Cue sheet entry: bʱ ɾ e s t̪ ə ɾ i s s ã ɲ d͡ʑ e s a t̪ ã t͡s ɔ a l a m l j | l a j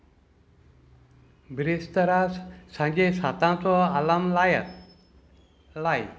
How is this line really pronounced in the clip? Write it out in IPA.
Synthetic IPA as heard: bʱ ɾ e s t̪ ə ɾ a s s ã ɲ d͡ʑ e s a t̪ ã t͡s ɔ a l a m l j | l a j

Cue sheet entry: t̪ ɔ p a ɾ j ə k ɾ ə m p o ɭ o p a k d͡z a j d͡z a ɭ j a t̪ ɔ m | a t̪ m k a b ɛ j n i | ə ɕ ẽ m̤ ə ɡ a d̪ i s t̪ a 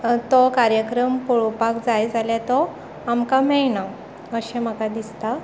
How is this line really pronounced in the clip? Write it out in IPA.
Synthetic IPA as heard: t̪ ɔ k a ɾ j ə k ɾ ə m p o ɭ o p a k d͡z a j d͡z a l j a t̪ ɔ | a m k a m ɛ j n a | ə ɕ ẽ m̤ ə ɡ a d̪ i s t̪ a

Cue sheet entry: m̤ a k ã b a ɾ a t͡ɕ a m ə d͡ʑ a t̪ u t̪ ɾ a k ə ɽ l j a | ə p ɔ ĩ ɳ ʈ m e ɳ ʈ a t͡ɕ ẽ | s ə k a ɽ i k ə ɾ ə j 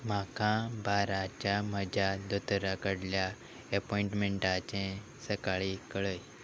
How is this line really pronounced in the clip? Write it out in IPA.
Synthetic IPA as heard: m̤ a k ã b a ɾ a t͡ɕ a m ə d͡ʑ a d̪ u t̪ ɾ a k ə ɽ l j a | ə p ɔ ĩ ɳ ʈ m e ɳ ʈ a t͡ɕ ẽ | s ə k a ɭ i k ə ɭ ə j

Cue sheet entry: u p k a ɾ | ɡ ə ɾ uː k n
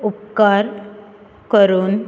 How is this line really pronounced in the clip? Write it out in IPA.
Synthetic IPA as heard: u p k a ɾ | k ə ɾ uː n

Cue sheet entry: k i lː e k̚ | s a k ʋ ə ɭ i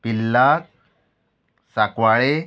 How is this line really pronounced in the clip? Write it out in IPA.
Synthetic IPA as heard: p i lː a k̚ | s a k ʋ a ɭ e

